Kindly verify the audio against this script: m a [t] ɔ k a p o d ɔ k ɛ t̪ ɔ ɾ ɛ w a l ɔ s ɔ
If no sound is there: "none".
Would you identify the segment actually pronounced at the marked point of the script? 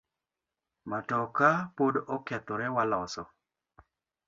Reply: t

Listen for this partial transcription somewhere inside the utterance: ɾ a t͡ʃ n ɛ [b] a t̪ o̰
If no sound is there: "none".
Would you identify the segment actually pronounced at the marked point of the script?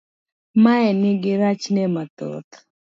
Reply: m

